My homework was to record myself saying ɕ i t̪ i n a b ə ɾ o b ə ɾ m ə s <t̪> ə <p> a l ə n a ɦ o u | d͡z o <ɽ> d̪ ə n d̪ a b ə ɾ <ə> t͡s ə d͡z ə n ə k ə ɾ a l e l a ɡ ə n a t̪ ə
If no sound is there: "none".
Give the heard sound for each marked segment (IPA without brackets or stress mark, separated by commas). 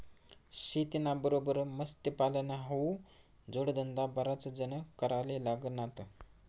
t̪, p, ɽ, a